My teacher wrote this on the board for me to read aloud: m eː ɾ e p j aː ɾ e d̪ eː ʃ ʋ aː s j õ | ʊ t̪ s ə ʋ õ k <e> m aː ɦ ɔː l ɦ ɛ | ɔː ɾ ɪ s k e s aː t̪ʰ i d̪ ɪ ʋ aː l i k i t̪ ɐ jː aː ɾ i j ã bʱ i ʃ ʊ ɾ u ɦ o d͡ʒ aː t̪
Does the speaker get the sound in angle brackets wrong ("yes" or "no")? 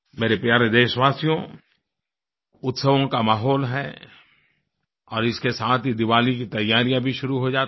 yes